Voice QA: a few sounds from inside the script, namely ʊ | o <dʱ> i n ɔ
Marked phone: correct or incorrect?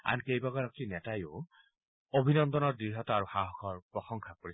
incorrect